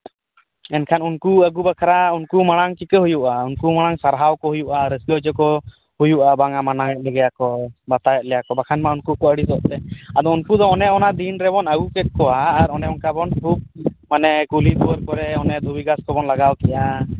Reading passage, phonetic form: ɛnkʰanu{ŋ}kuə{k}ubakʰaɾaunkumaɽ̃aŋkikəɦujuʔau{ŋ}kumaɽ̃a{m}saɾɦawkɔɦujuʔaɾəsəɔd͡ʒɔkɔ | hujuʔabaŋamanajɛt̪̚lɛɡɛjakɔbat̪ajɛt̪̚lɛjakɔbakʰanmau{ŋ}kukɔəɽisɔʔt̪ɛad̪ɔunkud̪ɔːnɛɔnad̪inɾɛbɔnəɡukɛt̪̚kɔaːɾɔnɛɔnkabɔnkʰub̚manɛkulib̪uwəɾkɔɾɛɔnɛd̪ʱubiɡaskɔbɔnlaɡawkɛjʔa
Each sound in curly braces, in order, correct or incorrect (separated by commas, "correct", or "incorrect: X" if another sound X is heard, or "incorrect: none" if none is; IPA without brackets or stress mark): incorrect: n, incorrect: ɡ, incorrect: n, incorrect: ŋ, incorrect: n